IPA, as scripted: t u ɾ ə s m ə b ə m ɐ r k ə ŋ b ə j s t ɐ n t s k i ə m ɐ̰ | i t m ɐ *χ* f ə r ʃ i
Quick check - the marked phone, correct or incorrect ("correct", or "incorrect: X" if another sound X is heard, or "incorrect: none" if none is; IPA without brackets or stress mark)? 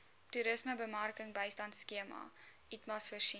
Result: incorrect: s